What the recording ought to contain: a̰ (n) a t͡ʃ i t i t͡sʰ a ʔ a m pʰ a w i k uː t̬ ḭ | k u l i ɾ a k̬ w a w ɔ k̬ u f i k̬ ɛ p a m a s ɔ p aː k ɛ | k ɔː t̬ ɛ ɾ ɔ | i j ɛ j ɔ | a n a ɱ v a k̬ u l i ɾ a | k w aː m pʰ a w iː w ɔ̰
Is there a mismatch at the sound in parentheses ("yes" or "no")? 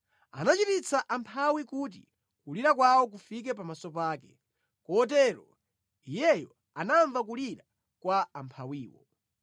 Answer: no